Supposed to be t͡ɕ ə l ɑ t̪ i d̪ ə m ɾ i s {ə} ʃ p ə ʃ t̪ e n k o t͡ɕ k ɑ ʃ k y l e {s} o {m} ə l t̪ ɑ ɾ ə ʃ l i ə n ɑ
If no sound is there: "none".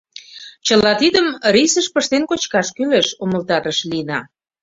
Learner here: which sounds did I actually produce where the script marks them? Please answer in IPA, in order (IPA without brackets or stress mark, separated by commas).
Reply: ə, ʃ, m